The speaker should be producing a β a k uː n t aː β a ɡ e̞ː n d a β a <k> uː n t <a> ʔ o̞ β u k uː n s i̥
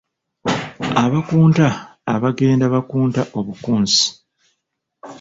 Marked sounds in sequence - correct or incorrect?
correct, correct

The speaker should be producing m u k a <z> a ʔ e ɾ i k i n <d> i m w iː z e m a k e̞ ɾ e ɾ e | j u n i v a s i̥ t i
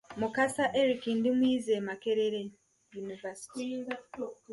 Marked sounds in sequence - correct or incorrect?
incorrect, correct

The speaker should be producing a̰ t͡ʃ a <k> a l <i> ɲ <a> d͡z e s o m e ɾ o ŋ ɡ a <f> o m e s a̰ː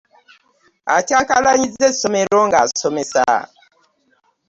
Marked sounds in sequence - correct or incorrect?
correct, incorrect, incorrect, incorrect

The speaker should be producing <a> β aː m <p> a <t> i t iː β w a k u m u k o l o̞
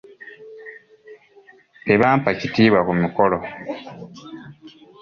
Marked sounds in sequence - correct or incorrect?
incorrect, correct, incorrect

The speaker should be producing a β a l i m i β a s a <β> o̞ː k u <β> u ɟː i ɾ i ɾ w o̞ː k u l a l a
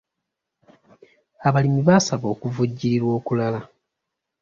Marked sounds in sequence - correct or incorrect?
correct, incorrect

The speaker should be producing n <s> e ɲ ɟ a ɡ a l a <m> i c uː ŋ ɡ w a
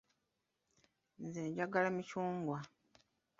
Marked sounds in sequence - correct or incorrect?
incorrect, correct

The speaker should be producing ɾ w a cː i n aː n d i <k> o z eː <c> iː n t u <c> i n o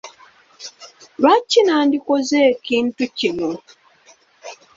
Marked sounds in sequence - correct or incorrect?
correct, incorrect, correct

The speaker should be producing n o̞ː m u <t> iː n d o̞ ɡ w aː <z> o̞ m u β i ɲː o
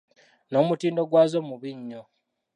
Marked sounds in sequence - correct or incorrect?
correct, correct

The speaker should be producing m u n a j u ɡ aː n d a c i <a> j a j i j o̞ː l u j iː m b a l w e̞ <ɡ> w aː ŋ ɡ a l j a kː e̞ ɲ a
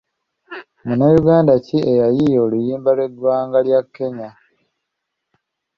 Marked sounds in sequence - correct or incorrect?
incorrect, incorrect

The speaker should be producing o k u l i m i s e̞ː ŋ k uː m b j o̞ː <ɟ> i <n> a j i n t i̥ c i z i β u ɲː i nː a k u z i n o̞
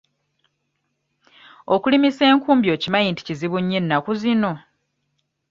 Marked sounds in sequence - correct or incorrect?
incorrect, incorrect

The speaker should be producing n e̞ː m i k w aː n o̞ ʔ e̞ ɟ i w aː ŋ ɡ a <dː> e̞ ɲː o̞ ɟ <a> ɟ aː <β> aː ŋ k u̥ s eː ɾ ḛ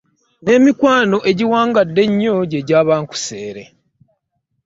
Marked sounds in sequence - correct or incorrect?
correct, incorrect, correct

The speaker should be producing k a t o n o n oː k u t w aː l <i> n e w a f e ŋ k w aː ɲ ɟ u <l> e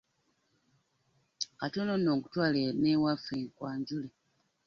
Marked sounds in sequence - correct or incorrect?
incorrect, correct

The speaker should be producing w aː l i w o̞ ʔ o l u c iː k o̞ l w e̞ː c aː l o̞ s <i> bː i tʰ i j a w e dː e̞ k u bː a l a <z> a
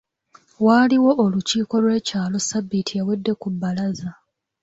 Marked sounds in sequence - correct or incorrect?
incorrect, correct

